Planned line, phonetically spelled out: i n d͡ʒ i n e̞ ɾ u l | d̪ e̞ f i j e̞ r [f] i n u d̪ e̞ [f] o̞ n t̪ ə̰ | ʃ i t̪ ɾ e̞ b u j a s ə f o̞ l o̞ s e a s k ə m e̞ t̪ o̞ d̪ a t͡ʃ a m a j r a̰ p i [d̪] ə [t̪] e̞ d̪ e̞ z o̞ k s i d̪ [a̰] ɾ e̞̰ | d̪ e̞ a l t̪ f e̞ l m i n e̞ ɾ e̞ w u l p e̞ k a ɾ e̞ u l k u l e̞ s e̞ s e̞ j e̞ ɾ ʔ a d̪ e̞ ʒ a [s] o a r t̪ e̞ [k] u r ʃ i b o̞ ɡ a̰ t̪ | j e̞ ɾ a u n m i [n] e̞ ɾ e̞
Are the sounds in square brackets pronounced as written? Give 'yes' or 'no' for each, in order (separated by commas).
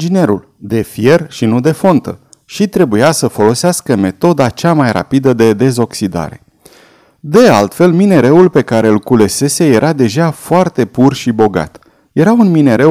no, yes, yes, no, yes, no, no, yes